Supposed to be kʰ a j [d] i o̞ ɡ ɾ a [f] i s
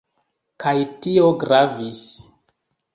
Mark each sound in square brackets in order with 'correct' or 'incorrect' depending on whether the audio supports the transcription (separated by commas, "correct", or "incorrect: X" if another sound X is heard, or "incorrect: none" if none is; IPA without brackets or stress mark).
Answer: incorrect: t, incorrect: v